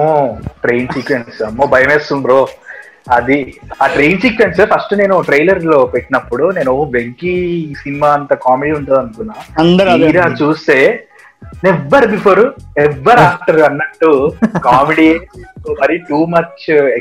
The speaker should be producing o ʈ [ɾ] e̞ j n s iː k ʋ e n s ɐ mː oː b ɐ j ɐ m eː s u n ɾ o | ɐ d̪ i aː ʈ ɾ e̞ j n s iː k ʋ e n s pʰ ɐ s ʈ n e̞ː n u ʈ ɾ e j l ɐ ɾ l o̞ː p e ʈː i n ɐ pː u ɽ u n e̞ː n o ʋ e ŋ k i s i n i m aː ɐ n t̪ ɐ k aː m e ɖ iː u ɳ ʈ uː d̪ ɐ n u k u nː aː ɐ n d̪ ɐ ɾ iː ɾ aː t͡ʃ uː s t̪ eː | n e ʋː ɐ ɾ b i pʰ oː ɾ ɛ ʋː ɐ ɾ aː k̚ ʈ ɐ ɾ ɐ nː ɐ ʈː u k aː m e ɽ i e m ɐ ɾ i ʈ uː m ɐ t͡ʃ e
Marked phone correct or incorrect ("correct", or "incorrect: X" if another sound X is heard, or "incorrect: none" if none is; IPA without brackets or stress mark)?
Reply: correct